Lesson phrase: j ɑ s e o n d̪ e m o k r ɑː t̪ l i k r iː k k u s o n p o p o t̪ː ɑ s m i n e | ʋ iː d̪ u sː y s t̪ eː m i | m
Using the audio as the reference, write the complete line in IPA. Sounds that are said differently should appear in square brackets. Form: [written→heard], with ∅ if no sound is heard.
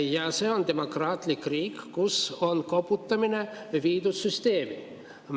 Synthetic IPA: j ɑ s e o n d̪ e m o k r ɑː t̪ l i k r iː k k u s o n [p→k] o p [o→u] t̪ː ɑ [s→∅] m i n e | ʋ iː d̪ u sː y s t̪ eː m i | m